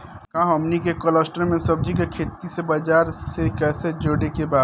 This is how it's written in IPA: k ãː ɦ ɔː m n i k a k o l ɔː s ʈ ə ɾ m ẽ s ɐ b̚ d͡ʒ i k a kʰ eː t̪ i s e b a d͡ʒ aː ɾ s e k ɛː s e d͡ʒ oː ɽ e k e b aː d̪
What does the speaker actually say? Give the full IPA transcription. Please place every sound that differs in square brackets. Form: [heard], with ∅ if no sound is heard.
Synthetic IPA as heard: k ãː ɦ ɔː m n i k [e] k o l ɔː s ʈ ə ɾ m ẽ s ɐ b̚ d͡ʒ i k [e] kʰ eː t̪ i s e b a d͡ʒ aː ɾ s e k ɛː s e d͡ʒ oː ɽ e k e b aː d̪